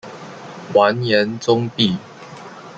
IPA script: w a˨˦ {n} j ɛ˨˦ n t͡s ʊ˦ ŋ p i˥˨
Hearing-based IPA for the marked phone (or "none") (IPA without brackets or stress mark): n